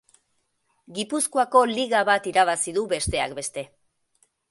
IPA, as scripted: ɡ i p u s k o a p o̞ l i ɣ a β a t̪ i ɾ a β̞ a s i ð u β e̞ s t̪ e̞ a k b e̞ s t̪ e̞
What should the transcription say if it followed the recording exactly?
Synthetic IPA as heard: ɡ i p u s k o a k o̞ l i ɣ a β a t̪ i ɾ a β̞ a s i ð u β e̞ s t̪ e̞ a k b e̞ s t̪ e̞